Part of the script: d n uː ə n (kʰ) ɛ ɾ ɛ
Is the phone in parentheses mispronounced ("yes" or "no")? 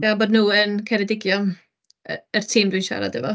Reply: no